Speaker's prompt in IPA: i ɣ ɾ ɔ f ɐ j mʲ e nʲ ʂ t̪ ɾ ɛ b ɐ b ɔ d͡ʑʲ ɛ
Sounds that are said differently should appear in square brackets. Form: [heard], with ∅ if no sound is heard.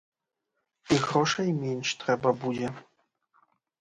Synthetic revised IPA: i ɣ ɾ ɔ [ʂ] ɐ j mʲ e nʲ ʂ t̪ ɾ ɛ b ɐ b [u] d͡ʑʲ ɛ